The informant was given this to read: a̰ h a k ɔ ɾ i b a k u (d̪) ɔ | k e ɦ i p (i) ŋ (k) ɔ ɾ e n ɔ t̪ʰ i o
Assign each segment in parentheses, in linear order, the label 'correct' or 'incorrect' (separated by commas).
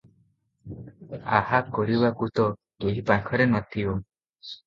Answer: incorrect, incorrect, incorrect